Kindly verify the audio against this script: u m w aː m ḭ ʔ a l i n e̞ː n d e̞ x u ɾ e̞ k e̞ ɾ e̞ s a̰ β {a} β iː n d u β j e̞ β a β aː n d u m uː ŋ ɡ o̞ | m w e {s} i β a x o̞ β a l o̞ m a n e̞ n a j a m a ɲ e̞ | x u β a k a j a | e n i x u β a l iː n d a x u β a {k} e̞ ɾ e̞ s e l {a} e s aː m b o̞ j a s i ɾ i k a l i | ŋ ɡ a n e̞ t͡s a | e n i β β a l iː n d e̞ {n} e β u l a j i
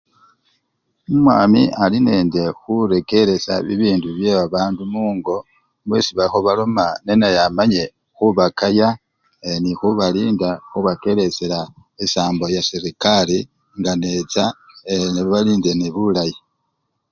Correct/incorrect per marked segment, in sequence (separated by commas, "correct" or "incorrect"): incorrect, correct, correct, correct, correct